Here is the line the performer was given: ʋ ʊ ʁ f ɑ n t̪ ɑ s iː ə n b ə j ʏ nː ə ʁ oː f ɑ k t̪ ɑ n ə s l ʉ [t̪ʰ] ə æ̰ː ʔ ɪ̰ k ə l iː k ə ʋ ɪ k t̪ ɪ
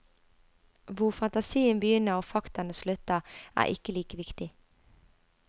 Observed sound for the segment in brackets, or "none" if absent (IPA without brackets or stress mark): t̪